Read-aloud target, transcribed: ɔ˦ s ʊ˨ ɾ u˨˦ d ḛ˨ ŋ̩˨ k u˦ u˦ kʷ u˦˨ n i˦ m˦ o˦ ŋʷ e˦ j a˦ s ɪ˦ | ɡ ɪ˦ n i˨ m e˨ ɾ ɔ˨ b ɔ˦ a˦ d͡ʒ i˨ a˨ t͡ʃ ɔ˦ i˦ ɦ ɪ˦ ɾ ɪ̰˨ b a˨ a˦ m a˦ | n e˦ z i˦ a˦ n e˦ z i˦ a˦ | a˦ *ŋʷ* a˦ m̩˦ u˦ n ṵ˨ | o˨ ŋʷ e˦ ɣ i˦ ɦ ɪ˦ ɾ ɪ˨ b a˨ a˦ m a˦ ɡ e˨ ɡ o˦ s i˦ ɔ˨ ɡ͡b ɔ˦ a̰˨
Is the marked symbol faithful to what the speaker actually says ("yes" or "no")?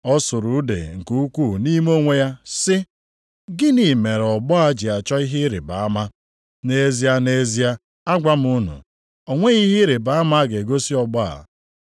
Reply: no